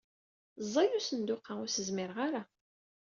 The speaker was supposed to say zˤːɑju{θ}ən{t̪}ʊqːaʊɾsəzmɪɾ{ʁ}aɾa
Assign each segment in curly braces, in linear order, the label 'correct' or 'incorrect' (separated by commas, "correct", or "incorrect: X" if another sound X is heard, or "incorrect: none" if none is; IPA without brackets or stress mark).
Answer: incorrect: s, incorrect: d̪, correct